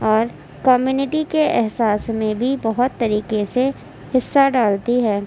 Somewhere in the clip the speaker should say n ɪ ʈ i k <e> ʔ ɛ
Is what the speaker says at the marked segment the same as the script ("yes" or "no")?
yes